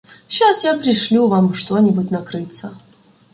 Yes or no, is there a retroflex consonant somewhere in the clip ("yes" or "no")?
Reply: yes